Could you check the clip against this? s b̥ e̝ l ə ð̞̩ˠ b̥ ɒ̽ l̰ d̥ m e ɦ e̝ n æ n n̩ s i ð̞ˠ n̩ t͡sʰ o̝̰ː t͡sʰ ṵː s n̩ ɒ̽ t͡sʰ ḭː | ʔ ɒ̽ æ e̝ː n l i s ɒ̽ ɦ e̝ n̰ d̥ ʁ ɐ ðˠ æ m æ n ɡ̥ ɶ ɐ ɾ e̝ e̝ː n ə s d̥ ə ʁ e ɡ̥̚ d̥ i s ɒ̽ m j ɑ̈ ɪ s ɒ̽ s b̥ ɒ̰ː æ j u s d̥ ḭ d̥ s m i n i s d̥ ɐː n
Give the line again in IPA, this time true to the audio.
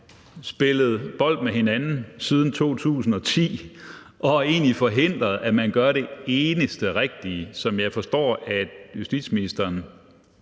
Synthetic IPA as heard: s b̥ e̝ l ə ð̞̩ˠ b̥ ɒ̽ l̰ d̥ m e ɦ e̝ n æ n n̩ s i ð̞ˠ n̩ t͡sʰ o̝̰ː t͡sʰ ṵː s n̩ ɒ̽ t͡sʰ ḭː | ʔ ɒ̽ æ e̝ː n l i f ɒ̽ ɦ e̝ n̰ d̥ ʁ ɐ ðˠ æ m æ n ɡ̥ ɶ ɐ ɾ e̝ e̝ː n ə s d̥ ə ʁ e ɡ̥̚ d̥ i s ɒ̽ m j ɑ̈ ɪ f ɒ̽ s d̥ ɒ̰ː æ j u s d̥ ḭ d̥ s m i n i s d̥ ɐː n